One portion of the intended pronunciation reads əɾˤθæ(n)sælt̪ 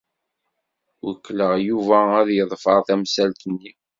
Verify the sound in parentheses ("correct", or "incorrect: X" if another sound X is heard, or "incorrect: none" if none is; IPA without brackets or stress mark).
incorrect: m